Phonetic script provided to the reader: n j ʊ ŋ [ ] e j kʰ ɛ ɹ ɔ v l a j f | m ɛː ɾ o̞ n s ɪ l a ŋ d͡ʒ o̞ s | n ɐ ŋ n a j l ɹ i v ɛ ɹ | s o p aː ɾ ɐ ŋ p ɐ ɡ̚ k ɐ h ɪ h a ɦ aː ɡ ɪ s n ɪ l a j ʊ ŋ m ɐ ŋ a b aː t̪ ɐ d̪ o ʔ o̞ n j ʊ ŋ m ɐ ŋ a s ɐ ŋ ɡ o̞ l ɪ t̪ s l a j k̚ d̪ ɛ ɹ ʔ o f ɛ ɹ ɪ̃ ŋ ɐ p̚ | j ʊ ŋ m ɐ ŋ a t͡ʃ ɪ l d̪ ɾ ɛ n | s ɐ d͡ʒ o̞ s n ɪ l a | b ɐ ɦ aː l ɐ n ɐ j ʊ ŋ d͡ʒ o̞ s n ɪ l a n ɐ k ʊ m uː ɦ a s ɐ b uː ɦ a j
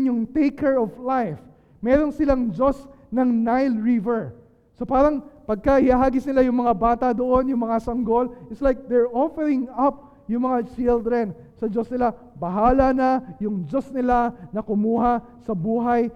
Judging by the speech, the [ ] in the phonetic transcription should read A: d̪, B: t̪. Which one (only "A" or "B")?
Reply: B